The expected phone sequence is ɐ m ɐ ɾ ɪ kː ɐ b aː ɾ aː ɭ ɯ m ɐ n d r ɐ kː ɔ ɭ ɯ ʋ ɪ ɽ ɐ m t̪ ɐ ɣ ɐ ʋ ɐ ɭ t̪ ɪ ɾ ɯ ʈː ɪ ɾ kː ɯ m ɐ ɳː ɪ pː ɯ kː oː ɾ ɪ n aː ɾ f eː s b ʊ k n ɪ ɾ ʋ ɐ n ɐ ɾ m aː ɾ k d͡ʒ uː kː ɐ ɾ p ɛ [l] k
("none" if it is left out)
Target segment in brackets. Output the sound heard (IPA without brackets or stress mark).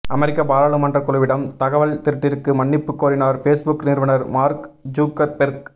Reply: ɾ